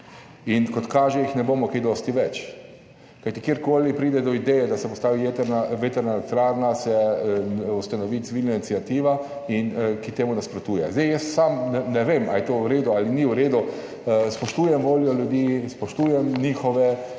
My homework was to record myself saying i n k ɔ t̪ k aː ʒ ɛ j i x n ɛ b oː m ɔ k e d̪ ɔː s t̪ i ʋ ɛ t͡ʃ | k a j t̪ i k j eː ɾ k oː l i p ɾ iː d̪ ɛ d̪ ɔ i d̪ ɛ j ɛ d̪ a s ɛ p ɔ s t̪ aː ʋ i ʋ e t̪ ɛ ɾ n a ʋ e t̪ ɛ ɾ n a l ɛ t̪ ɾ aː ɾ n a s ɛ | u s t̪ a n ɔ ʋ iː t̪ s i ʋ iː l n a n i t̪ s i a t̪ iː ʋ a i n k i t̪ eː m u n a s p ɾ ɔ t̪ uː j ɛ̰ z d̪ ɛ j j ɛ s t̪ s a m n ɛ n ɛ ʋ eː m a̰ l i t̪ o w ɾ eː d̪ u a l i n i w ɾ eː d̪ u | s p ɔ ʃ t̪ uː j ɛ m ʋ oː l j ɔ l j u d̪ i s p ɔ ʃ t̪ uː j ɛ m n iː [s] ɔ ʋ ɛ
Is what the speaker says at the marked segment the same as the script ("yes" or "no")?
no